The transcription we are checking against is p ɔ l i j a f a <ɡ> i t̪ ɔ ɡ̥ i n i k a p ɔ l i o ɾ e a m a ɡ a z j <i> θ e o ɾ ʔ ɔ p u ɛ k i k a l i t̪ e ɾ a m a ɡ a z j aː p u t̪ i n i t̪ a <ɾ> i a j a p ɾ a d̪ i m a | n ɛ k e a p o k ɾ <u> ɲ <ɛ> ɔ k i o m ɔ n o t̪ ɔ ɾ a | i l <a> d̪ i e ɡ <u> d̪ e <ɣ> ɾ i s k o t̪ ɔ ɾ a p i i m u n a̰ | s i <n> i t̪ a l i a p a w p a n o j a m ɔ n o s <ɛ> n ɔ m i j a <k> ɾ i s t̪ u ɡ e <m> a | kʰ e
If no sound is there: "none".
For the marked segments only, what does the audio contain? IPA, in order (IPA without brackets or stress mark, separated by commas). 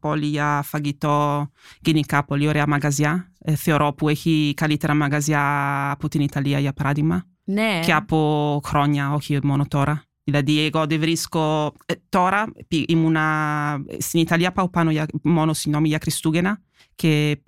ɡ, a, l, ɔ, a, a, ɔ, v, n, i, k, n